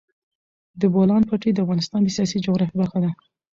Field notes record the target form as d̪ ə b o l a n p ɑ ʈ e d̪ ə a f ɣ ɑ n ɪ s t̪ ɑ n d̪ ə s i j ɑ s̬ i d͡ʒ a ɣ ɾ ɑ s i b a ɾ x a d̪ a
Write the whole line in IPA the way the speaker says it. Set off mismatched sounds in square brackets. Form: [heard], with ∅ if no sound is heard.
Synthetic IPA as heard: d̪ ə b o l [ɑ] n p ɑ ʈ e d̪ ə a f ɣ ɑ n ɪ s t̪ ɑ n d̪ ə s i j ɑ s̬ i d͡ʒ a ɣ ɾ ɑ [f] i b a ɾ x a d̪ a